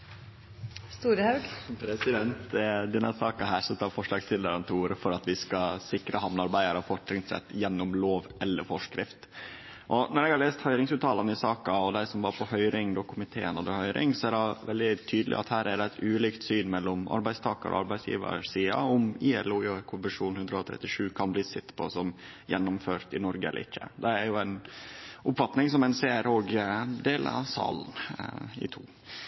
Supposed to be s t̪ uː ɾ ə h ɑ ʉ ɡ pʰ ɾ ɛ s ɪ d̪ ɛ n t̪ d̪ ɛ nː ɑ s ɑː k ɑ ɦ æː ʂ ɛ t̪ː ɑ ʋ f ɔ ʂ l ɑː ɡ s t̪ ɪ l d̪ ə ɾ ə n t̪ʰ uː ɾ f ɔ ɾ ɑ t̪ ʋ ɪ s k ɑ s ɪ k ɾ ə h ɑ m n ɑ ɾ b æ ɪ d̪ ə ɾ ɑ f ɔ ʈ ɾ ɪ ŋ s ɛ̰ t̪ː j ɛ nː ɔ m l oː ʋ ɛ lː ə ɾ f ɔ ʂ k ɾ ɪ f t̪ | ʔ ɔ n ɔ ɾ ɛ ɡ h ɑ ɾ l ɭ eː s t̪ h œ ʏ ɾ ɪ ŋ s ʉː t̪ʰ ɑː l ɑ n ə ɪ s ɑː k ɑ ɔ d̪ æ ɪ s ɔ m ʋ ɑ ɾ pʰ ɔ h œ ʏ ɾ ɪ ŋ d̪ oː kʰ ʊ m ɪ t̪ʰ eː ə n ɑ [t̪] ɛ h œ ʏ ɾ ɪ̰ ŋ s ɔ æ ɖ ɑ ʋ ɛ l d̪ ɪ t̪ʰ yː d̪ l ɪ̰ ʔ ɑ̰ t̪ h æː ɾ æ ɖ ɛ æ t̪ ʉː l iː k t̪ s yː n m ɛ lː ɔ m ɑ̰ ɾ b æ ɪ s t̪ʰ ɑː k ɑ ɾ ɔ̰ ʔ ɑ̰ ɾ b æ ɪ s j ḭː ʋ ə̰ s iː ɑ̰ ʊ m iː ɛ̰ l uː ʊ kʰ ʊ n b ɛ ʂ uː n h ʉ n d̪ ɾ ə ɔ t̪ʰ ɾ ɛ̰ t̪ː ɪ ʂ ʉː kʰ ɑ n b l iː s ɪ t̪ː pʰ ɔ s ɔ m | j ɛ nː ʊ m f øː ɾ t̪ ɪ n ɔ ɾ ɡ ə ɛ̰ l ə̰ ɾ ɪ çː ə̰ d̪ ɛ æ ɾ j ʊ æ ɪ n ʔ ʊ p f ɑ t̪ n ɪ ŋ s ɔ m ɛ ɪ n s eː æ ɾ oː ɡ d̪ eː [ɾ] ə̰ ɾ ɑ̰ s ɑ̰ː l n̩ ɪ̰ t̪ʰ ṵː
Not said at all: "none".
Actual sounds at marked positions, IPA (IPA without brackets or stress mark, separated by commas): d̪, l